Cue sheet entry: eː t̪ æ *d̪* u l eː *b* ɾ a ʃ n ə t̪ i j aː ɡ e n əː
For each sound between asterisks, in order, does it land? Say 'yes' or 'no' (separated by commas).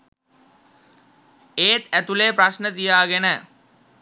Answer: no, no